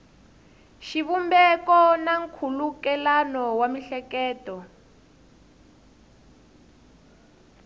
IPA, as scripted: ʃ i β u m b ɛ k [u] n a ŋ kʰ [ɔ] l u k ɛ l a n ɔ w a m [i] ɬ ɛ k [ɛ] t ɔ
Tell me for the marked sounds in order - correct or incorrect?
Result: incorrect: ɔ, incorrect: u, correct, incorrect: ɛː

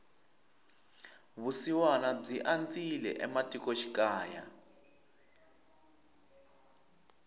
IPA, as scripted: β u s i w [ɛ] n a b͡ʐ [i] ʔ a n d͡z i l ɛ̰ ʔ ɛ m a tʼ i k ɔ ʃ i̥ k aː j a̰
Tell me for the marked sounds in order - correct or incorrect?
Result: incorrect: a, correct

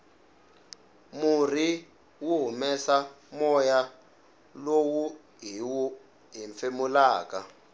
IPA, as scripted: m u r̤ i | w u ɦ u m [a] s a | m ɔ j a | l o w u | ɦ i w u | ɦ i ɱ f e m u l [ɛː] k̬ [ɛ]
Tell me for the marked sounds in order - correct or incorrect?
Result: incorrect: ɛ, incorrect: aː, incorrect: a

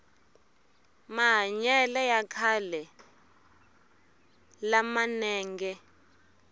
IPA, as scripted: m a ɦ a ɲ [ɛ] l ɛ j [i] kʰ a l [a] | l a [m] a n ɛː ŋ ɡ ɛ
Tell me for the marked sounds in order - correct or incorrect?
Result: correct, incorrect: a, incorrect: ɛ, correct

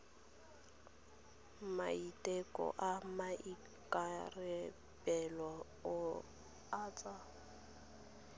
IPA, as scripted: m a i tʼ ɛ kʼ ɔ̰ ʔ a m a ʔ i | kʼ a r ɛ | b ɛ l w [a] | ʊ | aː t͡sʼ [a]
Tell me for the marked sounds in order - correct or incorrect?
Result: correct, correct

